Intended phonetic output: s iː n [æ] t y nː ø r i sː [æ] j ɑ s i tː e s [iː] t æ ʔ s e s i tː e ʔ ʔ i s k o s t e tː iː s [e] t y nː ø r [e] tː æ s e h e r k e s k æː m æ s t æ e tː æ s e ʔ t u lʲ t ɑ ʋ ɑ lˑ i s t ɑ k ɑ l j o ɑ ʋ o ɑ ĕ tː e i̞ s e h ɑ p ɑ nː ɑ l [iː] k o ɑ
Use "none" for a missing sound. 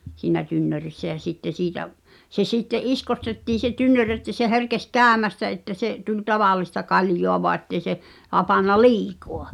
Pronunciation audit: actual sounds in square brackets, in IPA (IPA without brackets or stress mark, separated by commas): æ, æ, iː, e, e, iː